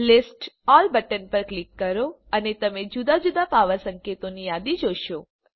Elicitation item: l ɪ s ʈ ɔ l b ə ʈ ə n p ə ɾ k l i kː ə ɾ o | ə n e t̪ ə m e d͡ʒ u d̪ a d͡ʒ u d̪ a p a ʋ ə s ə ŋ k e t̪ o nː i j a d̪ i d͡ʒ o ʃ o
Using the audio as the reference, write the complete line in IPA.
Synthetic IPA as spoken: l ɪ s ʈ ɔ l b ə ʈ ə n p ə ɾ k l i kː ə ɾ o | ə n e t̪ ə m e d͡ʒ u d̪ a d͡ʒ u d̪ a p a ʋ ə s ə ŋ k e t̪ o n i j a d̪ i d͡ʒ o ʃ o